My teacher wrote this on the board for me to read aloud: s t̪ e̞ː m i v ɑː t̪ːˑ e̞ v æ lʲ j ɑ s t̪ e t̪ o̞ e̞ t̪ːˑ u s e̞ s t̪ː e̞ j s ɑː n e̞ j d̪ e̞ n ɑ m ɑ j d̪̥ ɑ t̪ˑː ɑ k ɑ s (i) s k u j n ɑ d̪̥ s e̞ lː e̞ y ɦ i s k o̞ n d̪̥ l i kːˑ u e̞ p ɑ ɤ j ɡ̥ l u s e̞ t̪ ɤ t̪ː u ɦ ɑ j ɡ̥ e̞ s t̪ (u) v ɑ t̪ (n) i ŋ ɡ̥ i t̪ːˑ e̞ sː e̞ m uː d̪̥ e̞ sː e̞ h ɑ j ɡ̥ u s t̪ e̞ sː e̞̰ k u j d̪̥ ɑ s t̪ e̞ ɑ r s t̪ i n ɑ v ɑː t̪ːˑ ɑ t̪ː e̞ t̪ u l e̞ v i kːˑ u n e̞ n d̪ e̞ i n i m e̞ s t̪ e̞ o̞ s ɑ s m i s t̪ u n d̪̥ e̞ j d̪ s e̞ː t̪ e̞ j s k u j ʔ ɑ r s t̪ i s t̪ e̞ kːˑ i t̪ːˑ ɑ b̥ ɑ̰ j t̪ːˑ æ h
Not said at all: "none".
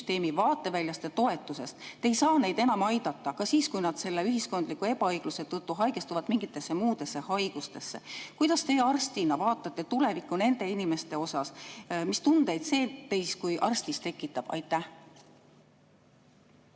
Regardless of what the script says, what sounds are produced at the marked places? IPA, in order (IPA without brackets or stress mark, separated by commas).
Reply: iː, u, m